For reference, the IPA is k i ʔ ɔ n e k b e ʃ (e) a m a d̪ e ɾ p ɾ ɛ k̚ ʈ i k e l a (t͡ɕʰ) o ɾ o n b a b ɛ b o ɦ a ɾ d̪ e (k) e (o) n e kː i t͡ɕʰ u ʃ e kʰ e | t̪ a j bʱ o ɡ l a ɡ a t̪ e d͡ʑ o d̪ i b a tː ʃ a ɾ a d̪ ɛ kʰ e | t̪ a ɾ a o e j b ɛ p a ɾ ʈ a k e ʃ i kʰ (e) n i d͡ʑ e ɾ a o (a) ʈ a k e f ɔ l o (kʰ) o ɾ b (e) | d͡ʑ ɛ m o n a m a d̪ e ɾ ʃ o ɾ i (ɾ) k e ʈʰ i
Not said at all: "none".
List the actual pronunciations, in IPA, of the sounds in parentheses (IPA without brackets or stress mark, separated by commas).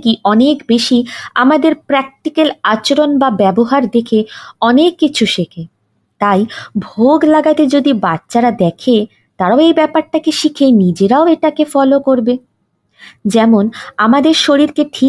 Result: i, t͡ɕ, kʰ, ɔ, e, e, k, e, ɾ